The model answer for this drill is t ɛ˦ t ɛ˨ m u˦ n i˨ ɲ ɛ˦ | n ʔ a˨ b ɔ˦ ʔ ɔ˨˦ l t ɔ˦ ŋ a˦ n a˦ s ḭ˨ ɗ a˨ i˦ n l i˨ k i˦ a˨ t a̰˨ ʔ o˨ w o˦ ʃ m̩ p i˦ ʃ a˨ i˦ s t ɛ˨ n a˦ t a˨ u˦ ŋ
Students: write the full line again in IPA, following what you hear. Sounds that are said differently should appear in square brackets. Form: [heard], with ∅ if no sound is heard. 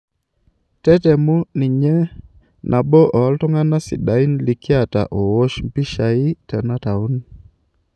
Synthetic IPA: t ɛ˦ t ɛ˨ m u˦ n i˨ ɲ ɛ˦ | n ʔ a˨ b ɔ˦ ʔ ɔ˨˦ l t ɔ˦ ŋ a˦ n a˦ s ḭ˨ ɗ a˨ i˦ n l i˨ k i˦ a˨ t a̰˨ ʔ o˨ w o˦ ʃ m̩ p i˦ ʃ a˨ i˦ [∅] t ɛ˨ n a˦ t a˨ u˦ [n]